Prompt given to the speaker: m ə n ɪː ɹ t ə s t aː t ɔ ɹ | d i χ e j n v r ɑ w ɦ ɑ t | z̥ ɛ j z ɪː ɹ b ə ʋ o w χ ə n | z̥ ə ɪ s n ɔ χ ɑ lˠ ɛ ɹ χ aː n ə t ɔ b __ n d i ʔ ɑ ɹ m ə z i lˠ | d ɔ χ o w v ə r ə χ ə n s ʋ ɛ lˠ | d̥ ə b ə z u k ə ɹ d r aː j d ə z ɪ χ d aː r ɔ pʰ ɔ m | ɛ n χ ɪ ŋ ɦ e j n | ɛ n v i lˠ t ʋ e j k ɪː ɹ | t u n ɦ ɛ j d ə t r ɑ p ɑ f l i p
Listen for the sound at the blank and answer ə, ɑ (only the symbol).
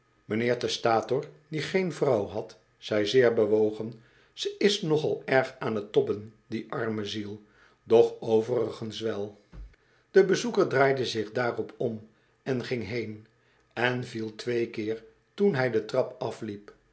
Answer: ə